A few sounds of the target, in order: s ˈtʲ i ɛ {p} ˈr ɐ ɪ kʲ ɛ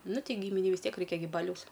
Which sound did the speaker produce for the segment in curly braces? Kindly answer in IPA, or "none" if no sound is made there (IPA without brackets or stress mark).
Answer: k